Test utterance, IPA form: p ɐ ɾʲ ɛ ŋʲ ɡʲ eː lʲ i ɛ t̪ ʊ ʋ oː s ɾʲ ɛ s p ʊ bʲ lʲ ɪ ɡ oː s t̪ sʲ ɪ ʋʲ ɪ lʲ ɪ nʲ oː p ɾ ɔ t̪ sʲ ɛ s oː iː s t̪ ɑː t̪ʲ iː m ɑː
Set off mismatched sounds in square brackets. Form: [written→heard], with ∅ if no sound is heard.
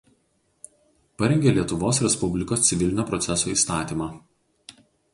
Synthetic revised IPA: p ɐ ɾʲ ɛ ŋʲ ɡʲ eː lʲ i ɛ t̪ ʊ ʋ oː s ɾʲ ɛ s p ʊ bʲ lʲ ɪ [ɡ→k] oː s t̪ sʲ ɪ ʋʲ ɪ lʲ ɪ nʲ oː p ɾ ɔ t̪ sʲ ɛ s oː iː s t̪ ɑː t̪ʲ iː m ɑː